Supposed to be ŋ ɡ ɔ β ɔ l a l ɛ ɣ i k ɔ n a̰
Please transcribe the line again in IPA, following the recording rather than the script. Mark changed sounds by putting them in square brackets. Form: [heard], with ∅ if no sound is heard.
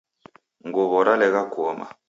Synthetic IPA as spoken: ŋ ɡ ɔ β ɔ [ɾ] a l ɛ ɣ [a] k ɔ [m] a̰